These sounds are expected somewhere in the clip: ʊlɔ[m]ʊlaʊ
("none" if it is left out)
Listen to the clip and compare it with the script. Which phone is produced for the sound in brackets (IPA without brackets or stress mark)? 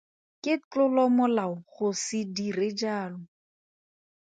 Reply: m